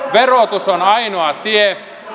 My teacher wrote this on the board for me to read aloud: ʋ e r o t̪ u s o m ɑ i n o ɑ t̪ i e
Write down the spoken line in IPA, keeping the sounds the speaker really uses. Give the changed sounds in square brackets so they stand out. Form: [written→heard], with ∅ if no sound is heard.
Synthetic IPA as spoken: ʋ e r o t̪ u s o [m→n] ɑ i n o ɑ t̪ i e